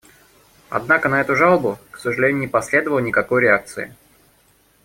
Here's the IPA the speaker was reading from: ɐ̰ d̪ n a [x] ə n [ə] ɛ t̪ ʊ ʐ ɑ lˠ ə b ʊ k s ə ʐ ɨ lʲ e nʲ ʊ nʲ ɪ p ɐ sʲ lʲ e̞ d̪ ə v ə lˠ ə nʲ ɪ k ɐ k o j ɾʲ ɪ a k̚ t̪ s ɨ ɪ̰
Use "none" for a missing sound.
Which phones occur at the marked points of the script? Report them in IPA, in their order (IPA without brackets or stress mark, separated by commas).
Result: k, ɐ